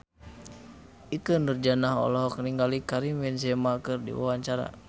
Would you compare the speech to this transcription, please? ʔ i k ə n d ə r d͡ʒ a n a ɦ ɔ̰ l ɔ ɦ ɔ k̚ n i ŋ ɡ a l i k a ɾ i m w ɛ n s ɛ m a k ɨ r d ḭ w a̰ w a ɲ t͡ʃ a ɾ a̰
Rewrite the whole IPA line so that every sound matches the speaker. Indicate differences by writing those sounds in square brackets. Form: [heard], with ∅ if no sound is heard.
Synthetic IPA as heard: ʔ i k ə n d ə r d͡ʒ a n a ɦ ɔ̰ l ɔ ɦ ɔ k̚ n i ŋ ɡ a l i k a ɾ i m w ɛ n s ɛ m a k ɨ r d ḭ w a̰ w a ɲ t͡ʃ a ɾ a̰